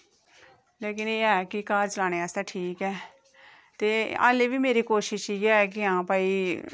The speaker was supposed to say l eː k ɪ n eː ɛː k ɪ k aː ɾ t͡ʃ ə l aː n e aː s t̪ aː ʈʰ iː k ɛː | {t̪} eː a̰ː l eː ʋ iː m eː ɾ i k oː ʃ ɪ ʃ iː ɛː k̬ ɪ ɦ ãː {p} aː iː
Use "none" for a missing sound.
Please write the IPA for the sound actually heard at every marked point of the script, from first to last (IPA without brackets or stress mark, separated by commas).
t̪, p